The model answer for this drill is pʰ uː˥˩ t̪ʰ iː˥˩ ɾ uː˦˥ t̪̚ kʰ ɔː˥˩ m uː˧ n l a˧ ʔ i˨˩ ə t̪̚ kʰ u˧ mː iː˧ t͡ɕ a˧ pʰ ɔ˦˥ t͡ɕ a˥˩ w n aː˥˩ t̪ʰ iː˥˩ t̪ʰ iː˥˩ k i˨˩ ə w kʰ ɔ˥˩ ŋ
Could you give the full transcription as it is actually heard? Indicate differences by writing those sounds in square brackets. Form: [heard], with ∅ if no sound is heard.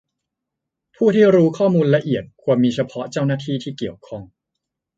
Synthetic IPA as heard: pʰ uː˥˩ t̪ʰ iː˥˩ ɾ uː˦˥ [∅] kʰ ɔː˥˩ m uː˧ n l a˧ ʔ i˨˩ ə t̪̚ kʰ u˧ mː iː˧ [t͡ɕʰ] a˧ pʰ ɔ˦˥ t͡ɕ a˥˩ w n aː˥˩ t̪ʰ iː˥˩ t̪ʰ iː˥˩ k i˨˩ ə w kʰ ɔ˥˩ ŋ